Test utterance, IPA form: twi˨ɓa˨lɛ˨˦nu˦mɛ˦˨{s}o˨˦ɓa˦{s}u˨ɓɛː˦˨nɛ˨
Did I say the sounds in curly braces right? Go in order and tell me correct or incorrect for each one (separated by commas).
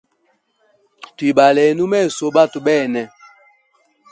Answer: correct, incorrect